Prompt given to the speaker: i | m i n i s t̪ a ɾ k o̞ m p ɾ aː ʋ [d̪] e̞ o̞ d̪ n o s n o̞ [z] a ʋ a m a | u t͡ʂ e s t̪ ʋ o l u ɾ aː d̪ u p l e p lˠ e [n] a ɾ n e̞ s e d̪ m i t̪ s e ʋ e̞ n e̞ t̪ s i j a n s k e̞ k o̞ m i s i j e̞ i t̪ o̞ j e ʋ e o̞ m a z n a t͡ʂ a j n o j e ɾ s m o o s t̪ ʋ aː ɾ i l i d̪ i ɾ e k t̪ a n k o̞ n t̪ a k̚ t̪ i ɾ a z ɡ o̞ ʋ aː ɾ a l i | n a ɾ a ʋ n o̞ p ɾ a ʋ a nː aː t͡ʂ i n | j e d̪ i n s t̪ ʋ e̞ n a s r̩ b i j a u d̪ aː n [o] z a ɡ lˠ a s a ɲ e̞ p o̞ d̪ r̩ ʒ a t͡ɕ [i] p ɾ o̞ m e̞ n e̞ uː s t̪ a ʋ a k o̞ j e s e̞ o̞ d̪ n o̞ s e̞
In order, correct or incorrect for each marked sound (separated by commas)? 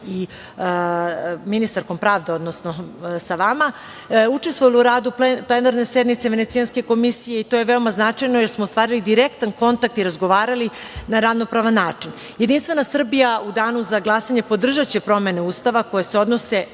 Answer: correct, incorrect, correct, incorrect, incorrect